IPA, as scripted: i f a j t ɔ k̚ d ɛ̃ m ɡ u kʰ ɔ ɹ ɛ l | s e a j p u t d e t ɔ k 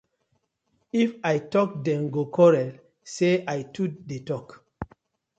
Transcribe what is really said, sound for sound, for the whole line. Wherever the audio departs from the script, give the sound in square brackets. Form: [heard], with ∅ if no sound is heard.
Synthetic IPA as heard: i f a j t ɔ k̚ d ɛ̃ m ɡ [o] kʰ ɔ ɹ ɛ l | s e a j [t] u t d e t ɔ k

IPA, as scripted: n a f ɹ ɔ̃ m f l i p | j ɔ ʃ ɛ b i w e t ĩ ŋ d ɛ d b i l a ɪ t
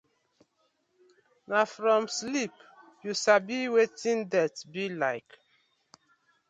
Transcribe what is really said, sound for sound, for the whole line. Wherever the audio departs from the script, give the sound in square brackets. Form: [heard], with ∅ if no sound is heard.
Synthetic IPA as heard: n a f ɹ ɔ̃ m [s] l i p | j [u] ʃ [a] b i w e t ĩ [n] d ɛ [t] b i l a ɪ [k]

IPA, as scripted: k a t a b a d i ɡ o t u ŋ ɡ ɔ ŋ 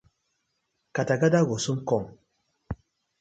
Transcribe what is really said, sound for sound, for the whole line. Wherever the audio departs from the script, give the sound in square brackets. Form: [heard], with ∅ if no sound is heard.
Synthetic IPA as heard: k a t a [ɡ] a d [a] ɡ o [s] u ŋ [k] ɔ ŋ

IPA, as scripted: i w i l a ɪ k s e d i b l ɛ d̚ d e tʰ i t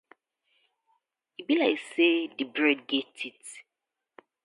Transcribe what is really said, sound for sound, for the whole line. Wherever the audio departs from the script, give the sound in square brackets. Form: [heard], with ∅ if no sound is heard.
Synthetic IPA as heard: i [b] i l a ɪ k s e d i b [ɹ] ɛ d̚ [ɡ] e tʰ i t

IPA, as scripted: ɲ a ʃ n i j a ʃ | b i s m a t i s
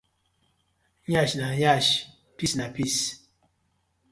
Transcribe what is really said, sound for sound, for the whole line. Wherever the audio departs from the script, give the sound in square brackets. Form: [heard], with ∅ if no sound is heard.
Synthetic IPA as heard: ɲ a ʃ n [a] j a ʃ | [p] i s [n] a [p] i s

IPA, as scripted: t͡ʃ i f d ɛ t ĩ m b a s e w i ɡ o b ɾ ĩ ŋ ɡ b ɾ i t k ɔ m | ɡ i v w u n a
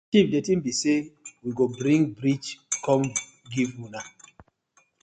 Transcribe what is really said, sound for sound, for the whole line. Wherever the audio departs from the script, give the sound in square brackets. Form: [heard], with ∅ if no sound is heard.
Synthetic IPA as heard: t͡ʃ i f d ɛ t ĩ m b [i] s e w i ɡ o b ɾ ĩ ŋ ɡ b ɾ i [t͡ʃ] k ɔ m | ɡ i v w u n a

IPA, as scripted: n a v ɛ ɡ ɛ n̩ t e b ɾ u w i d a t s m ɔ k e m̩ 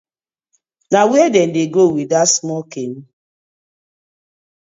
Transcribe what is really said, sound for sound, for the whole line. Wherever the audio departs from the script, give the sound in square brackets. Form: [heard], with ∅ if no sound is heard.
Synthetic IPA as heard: n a [w] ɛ [d] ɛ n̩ [d] e [ɡ] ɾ [o] w i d a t s m ɔ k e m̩

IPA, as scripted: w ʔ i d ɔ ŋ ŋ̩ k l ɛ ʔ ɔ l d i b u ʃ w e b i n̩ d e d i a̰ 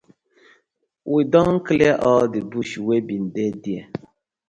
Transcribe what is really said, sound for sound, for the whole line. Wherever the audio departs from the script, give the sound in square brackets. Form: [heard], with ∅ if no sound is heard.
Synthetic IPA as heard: w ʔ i d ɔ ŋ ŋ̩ k l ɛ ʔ ɔ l d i b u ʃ w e b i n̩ d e d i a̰

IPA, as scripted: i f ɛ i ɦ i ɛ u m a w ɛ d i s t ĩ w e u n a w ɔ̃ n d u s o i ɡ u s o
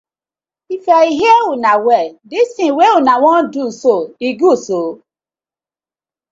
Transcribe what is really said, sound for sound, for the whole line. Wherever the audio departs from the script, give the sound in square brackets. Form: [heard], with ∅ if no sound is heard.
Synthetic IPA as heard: i f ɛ i ɦ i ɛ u [n] a w ɛ d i s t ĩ w e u n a w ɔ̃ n d u s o i ɡ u s o

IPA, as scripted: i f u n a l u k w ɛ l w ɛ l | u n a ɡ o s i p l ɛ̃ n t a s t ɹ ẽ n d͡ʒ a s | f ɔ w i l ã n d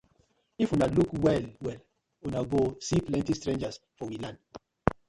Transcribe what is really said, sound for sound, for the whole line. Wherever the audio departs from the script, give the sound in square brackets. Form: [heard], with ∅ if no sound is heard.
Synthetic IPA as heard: i f u n a l u k w ɛ l w ɛ l | u n a ɡ o s i p l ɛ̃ n t [i] s t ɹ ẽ n d͡ʒ a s | f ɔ w i l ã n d

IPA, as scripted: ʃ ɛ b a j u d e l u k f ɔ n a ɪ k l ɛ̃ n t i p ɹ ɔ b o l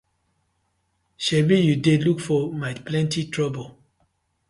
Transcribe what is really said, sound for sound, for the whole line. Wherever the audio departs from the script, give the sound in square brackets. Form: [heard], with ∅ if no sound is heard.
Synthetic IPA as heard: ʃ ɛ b [i] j u d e l u k f ɔ [m] a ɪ [p] l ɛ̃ n t i [t] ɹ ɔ b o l

